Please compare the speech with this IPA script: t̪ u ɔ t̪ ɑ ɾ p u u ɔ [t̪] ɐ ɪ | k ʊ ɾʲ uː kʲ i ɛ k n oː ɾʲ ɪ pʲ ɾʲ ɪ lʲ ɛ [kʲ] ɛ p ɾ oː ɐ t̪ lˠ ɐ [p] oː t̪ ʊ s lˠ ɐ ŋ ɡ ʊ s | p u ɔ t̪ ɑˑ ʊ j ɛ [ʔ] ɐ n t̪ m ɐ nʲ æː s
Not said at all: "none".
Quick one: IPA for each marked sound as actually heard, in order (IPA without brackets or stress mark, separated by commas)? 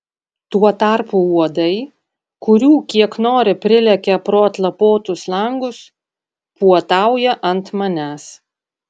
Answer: d̪, kʲ, p, ʔ